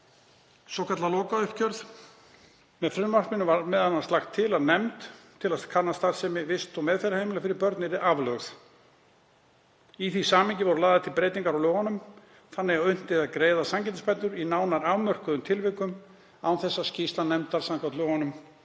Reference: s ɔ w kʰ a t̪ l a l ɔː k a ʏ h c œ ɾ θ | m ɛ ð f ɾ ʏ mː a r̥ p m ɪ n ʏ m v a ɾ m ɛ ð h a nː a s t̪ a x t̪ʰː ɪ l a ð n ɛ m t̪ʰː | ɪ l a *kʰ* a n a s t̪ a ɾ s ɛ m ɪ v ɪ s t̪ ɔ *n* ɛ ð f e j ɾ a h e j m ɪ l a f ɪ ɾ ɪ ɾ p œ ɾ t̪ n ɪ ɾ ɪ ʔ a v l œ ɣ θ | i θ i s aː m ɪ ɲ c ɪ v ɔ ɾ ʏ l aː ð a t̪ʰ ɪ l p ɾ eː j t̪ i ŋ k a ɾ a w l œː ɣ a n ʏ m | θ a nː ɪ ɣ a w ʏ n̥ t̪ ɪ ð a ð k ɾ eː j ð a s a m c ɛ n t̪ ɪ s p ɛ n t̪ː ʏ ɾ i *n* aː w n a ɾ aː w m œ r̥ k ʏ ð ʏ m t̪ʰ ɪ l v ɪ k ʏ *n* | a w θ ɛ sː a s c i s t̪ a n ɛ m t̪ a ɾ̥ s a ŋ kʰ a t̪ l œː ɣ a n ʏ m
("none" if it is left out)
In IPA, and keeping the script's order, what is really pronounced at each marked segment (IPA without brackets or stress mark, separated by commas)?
kʰ, m, n, m